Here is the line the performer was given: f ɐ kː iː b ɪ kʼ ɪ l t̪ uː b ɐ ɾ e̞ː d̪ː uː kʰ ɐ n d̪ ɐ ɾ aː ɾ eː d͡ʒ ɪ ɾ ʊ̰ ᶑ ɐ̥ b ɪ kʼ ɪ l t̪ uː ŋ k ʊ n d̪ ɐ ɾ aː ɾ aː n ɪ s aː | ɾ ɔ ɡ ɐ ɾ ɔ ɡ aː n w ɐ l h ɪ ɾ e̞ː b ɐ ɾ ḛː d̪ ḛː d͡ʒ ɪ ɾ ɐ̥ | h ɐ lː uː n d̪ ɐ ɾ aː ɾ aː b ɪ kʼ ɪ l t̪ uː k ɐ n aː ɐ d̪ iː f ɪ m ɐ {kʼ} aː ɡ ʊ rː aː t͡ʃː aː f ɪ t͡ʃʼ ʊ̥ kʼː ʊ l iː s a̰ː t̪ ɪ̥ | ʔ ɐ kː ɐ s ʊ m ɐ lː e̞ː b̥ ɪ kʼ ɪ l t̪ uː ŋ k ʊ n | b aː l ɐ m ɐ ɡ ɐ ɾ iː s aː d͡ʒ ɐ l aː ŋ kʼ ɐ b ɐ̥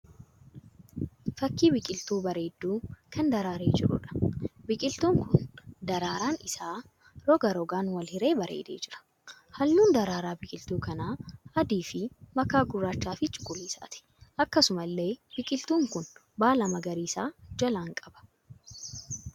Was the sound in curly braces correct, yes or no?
no